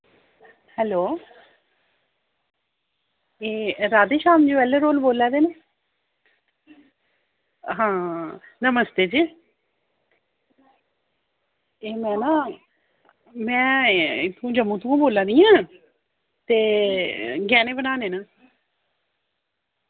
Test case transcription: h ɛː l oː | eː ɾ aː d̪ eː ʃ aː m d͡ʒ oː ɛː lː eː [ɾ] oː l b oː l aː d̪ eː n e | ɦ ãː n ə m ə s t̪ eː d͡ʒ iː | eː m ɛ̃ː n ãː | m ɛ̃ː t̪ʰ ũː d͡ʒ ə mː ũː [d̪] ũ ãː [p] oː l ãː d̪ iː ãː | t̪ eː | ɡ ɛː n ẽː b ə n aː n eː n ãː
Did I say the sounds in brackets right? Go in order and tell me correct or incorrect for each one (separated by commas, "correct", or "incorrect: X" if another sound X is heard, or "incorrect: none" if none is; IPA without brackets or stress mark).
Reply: correct, incorrect: t̪, incorrect: b